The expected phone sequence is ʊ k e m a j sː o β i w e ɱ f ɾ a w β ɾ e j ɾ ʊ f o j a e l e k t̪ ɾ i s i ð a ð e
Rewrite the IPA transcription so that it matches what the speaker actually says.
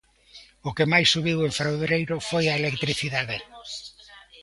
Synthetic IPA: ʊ k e m a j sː u β i w e ɱ f ɾ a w β ɾ e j ɾ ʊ f o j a e l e k t̪ ɾ i θ i ð a ð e